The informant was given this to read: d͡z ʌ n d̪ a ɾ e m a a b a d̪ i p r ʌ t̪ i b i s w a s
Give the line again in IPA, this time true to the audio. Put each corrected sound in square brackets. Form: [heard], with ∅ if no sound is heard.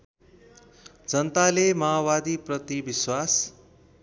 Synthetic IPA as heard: d͡z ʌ n [t̪] a [l] e m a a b a d̪ i p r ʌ t̪ i b i s w a s